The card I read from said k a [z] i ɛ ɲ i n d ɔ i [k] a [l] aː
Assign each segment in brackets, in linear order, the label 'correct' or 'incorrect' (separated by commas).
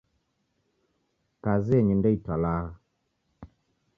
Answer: correct, incorrect, correct